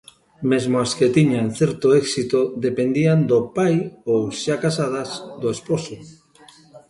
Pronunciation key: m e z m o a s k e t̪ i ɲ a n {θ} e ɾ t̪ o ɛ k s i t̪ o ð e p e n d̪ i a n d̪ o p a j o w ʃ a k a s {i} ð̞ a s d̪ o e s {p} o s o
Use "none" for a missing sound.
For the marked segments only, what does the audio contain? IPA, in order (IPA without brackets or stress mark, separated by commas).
θ, a, p